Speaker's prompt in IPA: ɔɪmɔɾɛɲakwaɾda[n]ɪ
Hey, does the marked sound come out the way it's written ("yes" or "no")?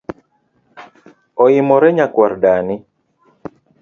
yes